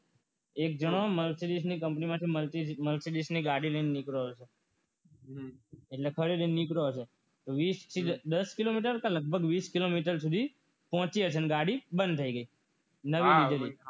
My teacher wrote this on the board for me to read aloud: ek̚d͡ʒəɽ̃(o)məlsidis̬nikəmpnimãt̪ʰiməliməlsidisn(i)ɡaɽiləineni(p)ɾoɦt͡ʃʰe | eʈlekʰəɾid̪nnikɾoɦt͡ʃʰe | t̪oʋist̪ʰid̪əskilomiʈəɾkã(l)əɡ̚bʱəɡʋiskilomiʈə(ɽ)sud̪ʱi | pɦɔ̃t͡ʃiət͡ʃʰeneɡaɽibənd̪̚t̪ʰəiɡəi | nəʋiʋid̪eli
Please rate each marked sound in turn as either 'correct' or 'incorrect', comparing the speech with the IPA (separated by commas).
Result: correct, correct, incorrect, correct, incorrect